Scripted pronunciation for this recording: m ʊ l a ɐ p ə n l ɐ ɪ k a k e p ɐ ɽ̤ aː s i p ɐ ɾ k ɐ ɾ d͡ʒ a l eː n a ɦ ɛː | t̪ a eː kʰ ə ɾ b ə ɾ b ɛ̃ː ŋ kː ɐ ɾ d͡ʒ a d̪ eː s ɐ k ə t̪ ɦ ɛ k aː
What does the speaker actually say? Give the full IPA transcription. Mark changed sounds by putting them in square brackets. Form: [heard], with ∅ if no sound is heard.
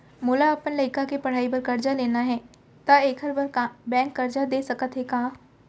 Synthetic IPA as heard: m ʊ l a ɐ p ə n l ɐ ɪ k a k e p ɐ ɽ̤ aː [∅] i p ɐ ɾ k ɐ ɾ d͡ʒ a l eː n a ɦ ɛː | t̪ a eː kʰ ə ɾ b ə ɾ b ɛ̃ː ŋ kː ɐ ɾ d͡ʒ a d̪ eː s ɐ k ə t̪ ɦ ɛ k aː

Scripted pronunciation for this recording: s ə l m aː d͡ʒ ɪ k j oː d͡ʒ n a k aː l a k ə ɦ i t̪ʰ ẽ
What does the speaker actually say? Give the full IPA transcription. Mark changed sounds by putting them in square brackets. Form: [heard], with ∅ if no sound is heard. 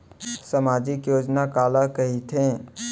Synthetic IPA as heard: s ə [∅] m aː d͡ʒ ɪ k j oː d͡ʒ n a k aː l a k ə ɦ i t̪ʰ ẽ

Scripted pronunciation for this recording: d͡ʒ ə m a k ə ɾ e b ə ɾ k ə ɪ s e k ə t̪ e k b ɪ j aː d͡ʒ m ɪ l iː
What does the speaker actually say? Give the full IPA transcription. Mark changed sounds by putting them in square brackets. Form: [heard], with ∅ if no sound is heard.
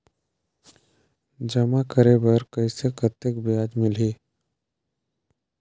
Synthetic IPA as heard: d͡ʒ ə m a k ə ɾ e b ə ɾ k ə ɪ s e k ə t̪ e k b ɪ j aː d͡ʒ m ɪ l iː

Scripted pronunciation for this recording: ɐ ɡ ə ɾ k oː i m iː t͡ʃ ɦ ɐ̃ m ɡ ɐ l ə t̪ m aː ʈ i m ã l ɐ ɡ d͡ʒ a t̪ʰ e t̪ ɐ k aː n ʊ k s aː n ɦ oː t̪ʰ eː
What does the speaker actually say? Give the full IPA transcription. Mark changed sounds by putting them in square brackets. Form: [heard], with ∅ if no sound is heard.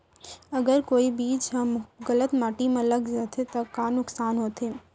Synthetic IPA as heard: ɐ ɡ ə ɾ k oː i [b] iː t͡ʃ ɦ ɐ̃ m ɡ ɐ l ə t̪ m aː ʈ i m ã l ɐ ɡ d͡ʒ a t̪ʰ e t̪ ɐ k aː n ʊ k s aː n ɦ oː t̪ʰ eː

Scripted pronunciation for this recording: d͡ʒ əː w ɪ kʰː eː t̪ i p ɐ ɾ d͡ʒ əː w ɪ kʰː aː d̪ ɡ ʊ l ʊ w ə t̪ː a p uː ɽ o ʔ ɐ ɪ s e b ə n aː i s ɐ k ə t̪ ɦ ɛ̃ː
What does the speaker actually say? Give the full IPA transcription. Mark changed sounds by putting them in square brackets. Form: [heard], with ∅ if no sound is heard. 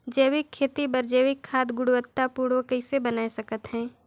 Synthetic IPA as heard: d͡ʒ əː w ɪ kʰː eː t̪ i [b] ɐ ɾ d͡ʒ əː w ɪ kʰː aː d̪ ɡ ʊ [ɽ] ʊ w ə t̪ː a p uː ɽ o [k] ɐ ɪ s e b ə n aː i s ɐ k ə t̪ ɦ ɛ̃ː

